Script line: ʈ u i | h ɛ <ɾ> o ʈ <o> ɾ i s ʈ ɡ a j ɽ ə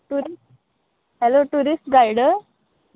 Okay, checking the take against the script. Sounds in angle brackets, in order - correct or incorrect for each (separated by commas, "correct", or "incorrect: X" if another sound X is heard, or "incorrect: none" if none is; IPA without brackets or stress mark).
incorrect: l, incorrect: u